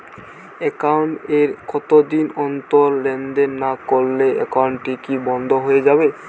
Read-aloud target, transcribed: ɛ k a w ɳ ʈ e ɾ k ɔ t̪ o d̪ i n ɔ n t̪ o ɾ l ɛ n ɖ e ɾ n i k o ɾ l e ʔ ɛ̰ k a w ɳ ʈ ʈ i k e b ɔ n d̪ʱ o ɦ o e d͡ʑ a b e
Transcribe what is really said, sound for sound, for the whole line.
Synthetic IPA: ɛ k a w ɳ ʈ e ɾ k ɔ t̪ o d̪ i n ɔ n t̪ o ɾ l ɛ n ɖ e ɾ n a k o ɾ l e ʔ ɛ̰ k a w ɳ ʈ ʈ i k i b ɔ n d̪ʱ o ɦ o e d͡ʑ a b e